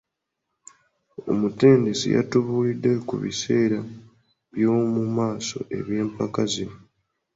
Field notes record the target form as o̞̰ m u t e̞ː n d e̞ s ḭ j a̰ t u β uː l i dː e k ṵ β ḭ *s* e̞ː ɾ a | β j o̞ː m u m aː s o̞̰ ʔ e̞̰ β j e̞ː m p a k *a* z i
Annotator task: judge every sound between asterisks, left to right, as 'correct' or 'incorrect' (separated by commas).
correct, correct